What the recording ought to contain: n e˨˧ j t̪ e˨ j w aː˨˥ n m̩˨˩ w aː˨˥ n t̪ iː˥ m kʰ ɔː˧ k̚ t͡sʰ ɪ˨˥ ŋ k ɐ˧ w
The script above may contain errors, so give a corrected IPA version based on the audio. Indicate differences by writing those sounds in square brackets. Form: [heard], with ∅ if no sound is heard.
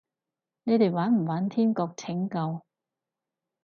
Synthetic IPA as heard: n e˨˧ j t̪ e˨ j w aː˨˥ n m̩˨˩ w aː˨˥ n [t̪ʰ] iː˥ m [k] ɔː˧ k̚ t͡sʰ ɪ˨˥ ŋ k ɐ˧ w

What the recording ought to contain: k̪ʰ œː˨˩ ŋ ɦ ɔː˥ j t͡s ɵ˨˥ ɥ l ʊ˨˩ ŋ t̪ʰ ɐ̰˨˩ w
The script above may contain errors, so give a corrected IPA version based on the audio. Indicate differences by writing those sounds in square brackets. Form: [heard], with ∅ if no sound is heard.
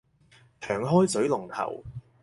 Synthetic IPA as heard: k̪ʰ œː˨˩ ŋ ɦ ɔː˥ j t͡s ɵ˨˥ ɥ l ʊ˨˩ ŋ t̪ʰ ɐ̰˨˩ w

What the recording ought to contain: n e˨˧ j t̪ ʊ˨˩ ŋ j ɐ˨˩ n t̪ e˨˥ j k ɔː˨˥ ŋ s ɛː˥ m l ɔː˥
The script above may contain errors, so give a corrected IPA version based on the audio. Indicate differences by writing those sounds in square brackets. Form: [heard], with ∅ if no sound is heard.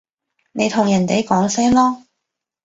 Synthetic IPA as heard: n e˨˧ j [t̪ʰ] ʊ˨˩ ŋ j ɐ˨˩ n t̪ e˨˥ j k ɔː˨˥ ŋ s ɛː˥ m l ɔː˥

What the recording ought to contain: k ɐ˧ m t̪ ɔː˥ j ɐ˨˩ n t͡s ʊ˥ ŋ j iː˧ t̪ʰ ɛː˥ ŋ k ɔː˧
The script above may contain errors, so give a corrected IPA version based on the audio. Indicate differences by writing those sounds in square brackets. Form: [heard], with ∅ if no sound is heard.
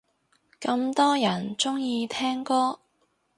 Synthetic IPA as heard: k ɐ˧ m t̪ ɔː˥ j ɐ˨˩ n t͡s ʊ˥ ŋ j iː˧ t̪ʰ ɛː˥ ŋ k [ɔː˥]

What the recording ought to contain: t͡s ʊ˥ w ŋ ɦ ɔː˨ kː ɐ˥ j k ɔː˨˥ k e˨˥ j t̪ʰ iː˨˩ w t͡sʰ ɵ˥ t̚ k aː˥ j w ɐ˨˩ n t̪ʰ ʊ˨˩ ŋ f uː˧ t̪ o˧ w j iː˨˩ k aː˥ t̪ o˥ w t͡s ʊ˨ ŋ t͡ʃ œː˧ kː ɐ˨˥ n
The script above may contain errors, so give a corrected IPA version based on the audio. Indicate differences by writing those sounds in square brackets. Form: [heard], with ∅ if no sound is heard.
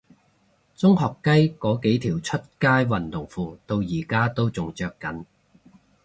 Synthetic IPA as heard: t͡s ʊ˥ [∅] ŋ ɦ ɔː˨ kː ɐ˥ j k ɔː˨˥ k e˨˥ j t̪ʰ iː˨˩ w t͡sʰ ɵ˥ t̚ k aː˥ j w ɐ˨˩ n [t̪] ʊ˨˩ ŋ f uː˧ t̪ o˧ w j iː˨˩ k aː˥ t̪ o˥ w t͡s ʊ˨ ŋ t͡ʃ œː˧ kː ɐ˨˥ n

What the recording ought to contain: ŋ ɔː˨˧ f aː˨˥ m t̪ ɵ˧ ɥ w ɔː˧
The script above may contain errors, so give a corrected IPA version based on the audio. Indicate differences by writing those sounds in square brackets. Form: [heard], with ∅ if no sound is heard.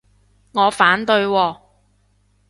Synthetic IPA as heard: ŋ ɔː˨˧ f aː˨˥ [n] t̪ ɵ˧ ɥ w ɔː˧

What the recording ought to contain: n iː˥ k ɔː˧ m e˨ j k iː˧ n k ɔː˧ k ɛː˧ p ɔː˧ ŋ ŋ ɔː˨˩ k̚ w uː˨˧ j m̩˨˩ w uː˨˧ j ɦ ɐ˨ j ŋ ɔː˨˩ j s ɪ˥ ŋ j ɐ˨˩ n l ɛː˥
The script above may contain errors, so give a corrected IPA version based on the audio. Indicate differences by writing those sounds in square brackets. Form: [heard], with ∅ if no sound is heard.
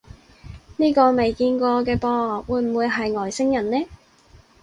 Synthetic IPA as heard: n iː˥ k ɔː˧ m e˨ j k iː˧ n k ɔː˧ k ɛː˧ p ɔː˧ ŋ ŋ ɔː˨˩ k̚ w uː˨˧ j m̩˨˩ w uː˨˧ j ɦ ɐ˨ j ŋ ɔː˨˩ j s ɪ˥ ŋ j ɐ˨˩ n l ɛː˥

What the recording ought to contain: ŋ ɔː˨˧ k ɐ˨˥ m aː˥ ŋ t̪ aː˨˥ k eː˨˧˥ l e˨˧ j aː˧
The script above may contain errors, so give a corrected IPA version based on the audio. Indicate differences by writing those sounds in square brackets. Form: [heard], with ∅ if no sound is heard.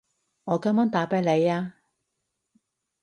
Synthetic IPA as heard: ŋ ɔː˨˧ k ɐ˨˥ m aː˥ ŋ t̪ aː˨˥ [p] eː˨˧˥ l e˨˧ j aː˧

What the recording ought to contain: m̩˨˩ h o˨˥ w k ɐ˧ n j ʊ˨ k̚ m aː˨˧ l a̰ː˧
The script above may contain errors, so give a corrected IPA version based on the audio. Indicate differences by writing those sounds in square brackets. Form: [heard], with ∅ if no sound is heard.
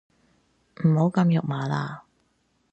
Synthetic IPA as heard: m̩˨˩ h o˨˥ w k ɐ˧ [m] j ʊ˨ k̚ m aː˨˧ l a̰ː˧

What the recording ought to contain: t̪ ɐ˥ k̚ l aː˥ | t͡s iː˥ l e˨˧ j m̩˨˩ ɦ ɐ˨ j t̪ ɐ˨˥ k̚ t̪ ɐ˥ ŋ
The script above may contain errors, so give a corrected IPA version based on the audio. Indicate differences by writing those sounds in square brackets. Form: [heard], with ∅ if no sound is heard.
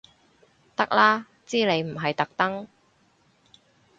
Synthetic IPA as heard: t̪ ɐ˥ k̚ l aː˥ | t͡s iː˥ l e˨˧ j m̩˨˩ ɦ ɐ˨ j t̪ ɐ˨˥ k̚ t̪ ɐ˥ ŋ

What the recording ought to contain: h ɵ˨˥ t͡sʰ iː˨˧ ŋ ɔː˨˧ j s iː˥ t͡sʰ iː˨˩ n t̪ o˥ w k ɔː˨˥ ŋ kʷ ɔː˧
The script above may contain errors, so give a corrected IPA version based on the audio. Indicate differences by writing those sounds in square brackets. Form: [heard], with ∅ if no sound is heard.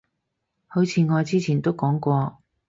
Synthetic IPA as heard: h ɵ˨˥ t͡sʰ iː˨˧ ŋ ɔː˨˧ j [t͡s] iː˥ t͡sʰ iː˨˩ n t̪ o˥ w k ɔː˨˥ ŋ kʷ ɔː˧

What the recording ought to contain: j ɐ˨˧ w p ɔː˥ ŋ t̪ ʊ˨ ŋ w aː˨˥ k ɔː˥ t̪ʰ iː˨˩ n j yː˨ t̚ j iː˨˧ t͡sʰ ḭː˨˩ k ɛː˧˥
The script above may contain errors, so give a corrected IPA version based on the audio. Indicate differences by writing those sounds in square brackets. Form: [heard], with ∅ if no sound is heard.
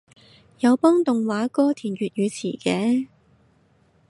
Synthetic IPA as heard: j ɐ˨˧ w p ɔː˥ ŋ t̪ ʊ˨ ŋ w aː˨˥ k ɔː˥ t̪ʰ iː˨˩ n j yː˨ t̚ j [yː˨˧] t͡sʰ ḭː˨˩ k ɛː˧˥

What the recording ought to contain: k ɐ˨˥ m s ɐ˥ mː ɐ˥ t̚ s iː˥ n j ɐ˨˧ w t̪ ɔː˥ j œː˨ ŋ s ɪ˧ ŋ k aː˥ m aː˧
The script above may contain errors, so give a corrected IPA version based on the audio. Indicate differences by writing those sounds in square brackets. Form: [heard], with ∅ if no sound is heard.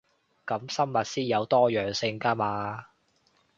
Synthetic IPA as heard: k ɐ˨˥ m s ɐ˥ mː [ɐ˨] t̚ s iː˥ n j ɐ˨˧ w t̪ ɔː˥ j œː˨ ŋ s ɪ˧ ŋ k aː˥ m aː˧

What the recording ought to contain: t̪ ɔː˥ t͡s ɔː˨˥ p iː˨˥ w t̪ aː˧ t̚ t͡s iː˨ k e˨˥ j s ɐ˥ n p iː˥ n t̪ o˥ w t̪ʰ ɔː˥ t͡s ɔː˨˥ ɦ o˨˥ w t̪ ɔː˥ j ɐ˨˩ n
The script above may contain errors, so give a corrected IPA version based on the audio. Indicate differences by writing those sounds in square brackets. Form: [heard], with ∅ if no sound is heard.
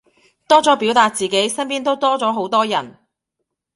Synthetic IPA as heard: t̪ ɔː˥ t͡s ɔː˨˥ p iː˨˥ w t̪ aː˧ t̚ t͡s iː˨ k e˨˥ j s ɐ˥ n p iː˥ n t̪ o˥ w [t̪] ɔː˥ t͡s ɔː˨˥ ɦ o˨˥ w t̪ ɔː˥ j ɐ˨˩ n

